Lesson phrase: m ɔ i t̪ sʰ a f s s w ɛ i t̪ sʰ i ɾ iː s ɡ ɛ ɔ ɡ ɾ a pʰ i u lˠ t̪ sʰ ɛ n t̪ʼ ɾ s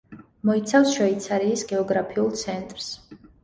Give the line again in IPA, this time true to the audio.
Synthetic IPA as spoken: m ɔ i t̪ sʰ a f s ʃ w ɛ i t̪ sʰ a ɾ iː s ɡ ɛ ɔ ɡ ɾ a pʰ i u lˠ t̪ sʰ ɛ n t̪ʼ ɾ s